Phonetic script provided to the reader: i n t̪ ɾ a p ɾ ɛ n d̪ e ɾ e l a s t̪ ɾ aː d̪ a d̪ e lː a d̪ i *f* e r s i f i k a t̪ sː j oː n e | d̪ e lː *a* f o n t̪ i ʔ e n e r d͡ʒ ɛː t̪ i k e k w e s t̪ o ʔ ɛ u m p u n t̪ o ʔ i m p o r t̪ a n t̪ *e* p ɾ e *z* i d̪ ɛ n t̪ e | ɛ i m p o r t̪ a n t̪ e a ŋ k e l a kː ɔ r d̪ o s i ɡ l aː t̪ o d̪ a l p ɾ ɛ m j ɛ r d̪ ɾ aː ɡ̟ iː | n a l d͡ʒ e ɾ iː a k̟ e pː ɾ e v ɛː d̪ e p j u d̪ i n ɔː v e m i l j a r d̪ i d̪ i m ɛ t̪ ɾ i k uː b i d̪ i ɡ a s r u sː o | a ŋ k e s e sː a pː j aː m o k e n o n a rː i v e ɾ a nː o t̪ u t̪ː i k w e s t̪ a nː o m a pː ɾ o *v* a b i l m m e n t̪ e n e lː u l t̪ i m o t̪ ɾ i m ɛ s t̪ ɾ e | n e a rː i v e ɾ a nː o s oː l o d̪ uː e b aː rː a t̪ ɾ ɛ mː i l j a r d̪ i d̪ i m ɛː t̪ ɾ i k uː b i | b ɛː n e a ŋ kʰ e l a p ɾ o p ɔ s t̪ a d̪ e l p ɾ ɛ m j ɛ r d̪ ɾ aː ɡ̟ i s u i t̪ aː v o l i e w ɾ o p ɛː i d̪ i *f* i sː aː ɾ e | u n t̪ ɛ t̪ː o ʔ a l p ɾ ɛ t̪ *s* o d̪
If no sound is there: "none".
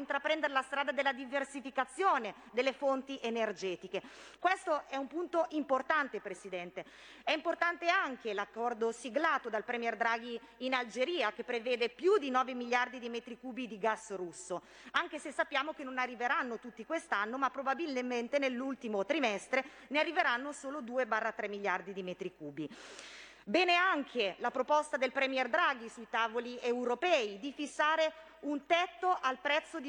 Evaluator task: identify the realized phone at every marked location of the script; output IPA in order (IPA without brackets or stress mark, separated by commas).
v, e, e, s, b, f, sː